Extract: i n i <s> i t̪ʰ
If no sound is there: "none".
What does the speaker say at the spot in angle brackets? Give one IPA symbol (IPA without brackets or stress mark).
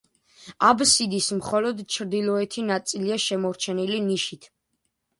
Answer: ʃ